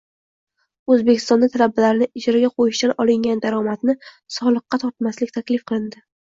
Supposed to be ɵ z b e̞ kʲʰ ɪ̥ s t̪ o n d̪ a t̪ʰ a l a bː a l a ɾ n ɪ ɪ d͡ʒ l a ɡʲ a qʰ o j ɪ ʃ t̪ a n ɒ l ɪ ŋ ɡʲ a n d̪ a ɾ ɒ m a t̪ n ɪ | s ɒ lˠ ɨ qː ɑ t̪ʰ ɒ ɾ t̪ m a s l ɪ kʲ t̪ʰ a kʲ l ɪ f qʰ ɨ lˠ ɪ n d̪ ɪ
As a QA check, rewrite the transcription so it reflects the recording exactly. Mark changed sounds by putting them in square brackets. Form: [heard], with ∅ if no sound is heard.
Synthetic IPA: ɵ z b e̞ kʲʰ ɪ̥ s t̪ [ɒ] n d̪ a t̪ʰ a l a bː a l a ɾ n ɪ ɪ d͡ʒ [ɾ] a ɡʲ a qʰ o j ɪ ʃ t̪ a n ɒ l ɪ ŋ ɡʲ a n d̪ a ɾ ɒ m a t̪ n ɪ | s ɒ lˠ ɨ qː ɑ t̪ʰ ɒ ɾ t̪ m a s l ɪ kʲ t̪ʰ a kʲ l ɪ f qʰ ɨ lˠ ɪ n d̪ ɪ